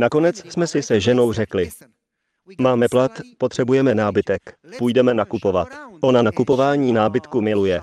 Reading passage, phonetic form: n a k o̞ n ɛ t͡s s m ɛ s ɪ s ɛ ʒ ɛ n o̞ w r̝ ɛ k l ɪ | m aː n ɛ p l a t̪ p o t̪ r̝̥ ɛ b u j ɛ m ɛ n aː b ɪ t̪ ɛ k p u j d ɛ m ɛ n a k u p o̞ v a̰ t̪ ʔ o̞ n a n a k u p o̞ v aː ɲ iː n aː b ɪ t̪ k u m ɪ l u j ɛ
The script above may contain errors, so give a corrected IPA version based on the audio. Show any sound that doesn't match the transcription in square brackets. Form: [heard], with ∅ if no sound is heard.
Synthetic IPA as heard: n a k o̞ n ɛ t͡s s m ɛ s ɪ s ɛ ʒ ɛ n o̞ w r̝ ɛ k l ɪ | m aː [m] ɛ p l a t̪ p o t̪ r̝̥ ɛ b u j ɛ m ɛ n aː b ɪ t̪ ɛ k p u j d ɛ m ɛ n a k u p o̞ v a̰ t̪ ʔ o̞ n a n a k u p o̞ v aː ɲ iː n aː b ɪ t̪ k u m ɪ l u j ɛ